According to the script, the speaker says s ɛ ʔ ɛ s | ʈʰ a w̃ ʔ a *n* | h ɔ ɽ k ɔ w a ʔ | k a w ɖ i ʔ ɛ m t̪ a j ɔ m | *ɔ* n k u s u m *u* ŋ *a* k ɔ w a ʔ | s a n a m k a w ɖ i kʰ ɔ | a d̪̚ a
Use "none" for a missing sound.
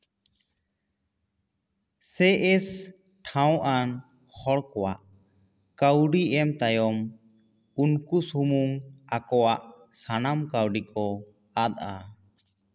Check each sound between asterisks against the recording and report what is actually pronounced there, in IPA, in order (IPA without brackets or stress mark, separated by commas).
n, u, u, a